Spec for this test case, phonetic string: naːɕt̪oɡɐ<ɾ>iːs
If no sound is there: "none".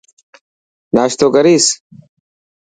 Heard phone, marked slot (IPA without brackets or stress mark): ɾ